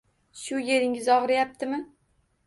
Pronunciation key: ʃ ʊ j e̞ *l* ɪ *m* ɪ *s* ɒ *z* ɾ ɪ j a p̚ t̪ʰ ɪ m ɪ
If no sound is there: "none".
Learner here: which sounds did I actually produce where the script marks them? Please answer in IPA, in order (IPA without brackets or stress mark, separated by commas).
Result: ɾ, ŋ, z, ʁ